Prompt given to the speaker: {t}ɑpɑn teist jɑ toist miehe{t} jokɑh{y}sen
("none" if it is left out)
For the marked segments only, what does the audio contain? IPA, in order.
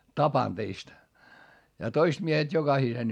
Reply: t, t, i

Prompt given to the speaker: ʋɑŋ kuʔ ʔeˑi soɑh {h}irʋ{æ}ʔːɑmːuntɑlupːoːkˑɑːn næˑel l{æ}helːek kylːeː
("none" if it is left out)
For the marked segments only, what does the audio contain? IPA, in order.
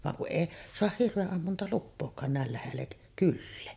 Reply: h, e, æ

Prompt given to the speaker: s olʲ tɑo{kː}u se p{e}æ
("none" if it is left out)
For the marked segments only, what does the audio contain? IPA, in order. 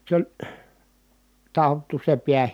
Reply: tː, i

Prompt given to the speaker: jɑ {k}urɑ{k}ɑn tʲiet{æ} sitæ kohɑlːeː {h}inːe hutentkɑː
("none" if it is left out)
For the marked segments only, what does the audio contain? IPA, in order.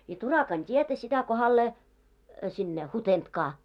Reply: t, k, æ, s

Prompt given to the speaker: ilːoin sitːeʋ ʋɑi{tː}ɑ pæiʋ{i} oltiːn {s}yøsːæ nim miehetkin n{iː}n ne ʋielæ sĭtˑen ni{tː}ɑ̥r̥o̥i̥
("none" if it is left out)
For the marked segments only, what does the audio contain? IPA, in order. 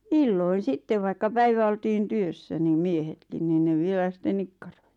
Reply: kː, æ, t, i, kː

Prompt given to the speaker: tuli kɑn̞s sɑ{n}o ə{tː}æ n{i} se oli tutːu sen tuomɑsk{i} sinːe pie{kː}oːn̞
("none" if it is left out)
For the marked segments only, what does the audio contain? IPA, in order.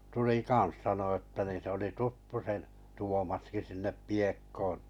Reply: n, tː, i, i, kː

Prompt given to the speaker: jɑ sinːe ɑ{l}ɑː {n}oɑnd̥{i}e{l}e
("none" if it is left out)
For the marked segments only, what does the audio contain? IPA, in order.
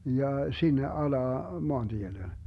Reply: l, m, i, l

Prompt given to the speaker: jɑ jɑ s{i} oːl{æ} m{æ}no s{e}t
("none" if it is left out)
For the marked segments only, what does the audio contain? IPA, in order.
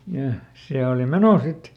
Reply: e, i, e, i

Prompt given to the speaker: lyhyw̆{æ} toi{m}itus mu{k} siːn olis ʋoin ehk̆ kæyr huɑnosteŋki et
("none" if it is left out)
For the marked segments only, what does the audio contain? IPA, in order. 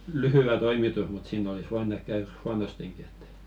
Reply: æ, m, t

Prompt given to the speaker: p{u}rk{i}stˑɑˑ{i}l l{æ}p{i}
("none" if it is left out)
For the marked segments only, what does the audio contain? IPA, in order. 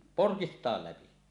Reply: o, i, e, æ, i

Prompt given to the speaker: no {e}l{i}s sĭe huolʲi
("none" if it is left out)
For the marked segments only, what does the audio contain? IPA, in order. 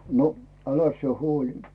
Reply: æ, æ

